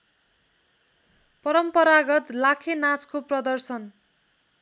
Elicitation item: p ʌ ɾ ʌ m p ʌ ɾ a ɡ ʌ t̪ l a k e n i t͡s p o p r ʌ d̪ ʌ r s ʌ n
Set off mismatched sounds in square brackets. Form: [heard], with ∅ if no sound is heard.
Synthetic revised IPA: p ʌ ɾ ʌ m p ʌ ɾ a ɡ ʌ t̪ l a [kʰ] e n [a] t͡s [k] o p r ʌ d̪ ʌ r s ʌ n